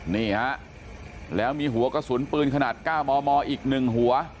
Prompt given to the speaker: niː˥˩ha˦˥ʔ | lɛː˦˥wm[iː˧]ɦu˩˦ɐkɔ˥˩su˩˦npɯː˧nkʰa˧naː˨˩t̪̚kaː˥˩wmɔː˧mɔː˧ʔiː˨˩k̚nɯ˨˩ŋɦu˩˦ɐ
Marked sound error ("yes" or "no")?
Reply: no